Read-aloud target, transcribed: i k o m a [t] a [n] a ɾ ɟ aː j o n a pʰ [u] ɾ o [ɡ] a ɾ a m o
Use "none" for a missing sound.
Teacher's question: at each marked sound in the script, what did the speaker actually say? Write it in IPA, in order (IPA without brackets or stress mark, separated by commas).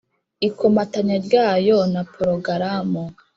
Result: t, ɲ, o, ɡ